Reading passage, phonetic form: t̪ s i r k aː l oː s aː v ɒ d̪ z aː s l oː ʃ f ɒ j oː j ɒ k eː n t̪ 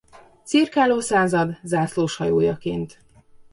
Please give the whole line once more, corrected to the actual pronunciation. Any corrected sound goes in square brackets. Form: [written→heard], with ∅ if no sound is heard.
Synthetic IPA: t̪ s i r k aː l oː s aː [v→z] ɒ d̪ z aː s l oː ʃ [f→h] ɒ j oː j ɒ k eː n t̪

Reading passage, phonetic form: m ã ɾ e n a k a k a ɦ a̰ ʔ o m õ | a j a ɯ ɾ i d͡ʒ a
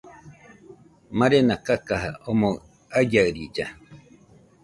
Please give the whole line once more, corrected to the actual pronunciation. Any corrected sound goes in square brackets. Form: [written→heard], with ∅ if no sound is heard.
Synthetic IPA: m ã ɾ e n a k a k a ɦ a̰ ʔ o m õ | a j a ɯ ɾ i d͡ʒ a

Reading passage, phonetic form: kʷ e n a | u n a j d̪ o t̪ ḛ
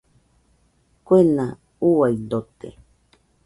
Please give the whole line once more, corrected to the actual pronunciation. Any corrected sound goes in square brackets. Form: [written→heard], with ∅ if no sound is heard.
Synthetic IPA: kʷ e n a | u [n→∅] a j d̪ o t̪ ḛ

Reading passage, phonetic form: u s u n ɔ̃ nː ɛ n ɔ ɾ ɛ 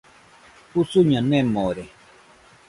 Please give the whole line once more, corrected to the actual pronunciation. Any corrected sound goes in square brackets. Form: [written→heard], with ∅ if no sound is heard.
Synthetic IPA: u s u [n→ɲ] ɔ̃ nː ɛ [n→m] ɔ ɾ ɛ

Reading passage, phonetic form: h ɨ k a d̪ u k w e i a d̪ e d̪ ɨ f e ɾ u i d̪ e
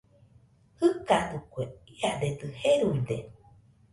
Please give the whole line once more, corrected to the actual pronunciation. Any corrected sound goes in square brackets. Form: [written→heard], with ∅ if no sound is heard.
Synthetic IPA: h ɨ k a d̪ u k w e i a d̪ e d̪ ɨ [f→h] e ɾ u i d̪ e

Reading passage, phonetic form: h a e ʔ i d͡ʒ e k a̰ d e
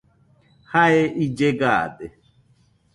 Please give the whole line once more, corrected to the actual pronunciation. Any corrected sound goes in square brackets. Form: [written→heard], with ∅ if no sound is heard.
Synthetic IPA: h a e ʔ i d͡ʒ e [k→ɡ] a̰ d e

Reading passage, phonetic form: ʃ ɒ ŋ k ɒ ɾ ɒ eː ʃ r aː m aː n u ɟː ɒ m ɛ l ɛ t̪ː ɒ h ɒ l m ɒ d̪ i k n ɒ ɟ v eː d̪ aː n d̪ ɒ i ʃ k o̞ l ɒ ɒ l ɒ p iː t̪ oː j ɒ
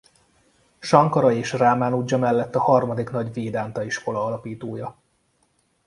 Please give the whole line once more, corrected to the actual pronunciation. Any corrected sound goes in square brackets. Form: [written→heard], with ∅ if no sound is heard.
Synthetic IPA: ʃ ɒ ŋ k ɒ ɾ ɒ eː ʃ r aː m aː n u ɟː ɒ m ɛ [l→lː] ɛ t̪ː ɒ h ɒ [l→r] m ɒ d̪ i k n ɒ ɟ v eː d̪ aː n [d̪→t̪] ɒ i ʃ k o̞ l ɒ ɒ l ɒ p iː t̪ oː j ɒ

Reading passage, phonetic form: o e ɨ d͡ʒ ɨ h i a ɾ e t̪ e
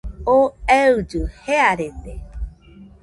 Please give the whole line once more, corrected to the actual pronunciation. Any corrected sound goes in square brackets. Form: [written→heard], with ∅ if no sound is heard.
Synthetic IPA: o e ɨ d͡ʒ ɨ h [i→e] a ɾ e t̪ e

